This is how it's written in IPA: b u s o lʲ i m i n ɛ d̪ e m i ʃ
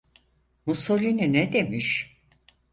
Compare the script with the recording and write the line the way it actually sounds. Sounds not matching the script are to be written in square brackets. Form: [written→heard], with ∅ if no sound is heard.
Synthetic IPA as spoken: [b→m] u s o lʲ i [m→n] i n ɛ d̪ e m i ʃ